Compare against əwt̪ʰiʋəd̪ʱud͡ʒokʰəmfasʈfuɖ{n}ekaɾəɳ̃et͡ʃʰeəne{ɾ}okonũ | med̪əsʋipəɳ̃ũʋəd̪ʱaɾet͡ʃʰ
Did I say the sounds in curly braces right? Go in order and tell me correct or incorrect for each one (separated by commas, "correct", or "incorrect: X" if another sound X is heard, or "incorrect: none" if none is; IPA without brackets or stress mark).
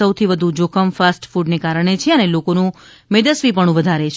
correct, incorrect: l